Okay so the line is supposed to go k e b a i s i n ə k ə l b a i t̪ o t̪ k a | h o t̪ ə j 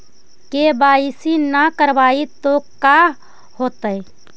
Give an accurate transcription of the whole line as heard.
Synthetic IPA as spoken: k e b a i s i n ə k ə ɾ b a i t̪ o k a | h o t̪ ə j